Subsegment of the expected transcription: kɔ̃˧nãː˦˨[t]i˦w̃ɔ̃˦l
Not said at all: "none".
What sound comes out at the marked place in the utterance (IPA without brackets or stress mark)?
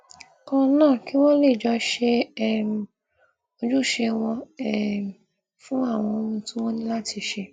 k